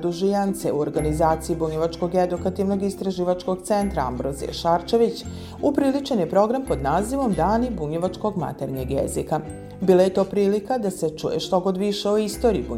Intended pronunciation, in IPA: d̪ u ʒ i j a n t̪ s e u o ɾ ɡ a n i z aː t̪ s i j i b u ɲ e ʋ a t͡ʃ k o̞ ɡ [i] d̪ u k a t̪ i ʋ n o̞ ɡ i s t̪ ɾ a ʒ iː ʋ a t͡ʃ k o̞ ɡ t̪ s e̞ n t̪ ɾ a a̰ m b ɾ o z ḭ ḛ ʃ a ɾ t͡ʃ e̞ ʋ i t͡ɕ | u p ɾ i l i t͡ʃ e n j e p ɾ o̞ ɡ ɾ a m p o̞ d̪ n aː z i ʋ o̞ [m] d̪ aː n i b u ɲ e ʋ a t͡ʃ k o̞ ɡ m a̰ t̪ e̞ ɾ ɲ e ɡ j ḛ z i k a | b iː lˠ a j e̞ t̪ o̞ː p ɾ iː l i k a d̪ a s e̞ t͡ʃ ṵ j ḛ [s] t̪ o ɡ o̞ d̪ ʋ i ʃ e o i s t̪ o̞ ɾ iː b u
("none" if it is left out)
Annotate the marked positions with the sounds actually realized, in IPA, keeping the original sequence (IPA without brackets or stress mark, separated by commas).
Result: e, m, ʃ